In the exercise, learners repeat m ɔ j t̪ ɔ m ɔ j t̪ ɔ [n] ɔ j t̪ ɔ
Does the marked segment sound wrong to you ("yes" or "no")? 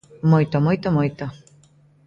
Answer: yes